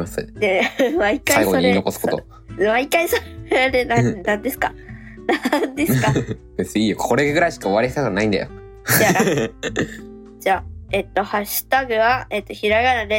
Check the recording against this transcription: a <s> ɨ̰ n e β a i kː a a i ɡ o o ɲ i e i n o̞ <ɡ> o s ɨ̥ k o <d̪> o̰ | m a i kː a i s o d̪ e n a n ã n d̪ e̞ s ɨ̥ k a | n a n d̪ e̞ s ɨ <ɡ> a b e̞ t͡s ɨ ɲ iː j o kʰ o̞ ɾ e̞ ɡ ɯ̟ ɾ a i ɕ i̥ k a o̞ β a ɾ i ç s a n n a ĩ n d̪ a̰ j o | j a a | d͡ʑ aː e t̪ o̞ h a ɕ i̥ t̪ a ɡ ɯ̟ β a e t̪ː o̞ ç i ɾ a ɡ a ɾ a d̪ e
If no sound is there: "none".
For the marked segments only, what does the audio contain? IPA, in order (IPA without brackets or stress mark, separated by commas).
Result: s, k, t̪, k